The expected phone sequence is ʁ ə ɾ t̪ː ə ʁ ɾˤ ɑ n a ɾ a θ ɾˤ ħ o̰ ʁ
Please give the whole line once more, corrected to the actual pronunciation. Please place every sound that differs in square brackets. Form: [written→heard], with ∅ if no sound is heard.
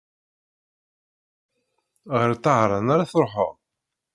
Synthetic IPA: ʁ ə ɾ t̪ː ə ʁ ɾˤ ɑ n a ɾ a θ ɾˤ ħ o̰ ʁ